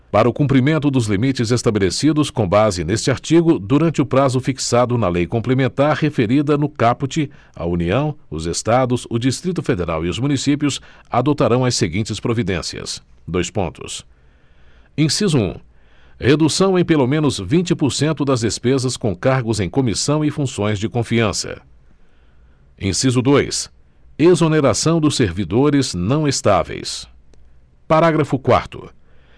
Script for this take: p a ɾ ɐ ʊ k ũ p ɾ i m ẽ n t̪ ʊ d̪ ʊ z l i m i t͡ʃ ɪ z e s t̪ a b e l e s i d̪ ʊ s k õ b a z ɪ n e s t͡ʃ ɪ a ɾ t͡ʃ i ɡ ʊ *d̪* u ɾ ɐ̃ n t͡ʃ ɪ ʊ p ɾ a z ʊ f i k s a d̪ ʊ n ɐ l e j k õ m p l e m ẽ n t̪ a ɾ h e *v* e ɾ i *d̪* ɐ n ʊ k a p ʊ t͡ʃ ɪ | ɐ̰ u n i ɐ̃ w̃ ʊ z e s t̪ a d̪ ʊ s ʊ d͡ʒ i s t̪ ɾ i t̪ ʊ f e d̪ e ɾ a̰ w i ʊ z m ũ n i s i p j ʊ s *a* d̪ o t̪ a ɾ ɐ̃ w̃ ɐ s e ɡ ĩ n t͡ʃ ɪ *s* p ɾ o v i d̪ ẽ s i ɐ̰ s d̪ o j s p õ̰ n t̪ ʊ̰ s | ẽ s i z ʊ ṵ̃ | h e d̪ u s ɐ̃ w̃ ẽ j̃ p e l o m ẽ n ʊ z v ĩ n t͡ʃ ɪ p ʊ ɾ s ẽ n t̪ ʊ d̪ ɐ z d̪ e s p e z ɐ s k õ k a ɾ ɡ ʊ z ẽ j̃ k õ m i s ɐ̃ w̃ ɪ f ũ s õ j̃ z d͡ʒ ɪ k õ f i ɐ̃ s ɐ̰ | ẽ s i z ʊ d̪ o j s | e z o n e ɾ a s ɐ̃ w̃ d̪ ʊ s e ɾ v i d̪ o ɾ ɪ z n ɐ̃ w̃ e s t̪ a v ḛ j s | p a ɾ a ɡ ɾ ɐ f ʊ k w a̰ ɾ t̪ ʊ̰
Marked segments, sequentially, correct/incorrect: correct, incorrect, correct, correct, correct

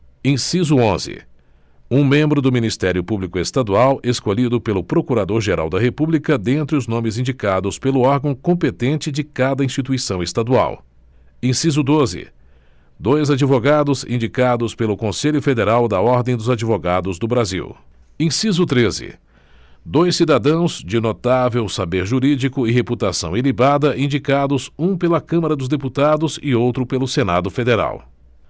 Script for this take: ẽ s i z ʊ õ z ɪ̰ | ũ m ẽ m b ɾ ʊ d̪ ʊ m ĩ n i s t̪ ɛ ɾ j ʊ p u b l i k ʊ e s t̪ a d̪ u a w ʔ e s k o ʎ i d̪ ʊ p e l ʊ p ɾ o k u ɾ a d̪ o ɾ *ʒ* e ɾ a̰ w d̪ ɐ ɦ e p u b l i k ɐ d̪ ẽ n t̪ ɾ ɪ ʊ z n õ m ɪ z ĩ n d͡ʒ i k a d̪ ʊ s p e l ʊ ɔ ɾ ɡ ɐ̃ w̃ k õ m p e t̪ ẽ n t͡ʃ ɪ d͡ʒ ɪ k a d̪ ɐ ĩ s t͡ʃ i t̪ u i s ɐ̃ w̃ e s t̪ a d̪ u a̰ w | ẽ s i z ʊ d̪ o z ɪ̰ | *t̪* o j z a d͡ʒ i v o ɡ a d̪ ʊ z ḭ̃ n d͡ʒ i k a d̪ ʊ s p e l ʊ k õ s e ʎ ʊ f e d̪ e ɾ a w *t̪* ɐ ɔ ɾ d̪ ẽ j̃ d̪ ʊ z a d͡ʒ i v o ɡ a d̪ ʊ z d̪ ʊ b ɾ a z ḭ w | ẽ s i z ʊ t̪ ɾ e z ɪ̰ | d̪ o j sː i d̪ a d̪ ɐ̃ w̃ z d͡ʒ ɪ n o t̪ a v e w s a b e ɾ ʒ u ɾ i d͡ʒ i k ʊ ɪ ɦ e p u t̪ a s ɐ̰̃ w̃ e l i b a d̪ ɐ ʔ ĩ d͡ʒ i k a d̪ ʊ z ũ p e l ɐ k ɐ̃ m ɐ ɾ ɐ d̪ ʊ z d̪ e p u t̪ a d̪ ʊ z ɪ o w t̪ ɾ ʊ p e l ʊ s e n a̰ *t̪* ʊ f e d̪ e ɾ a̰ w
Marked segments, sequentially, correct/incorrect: correct, incorrect, incorrect, incorrect

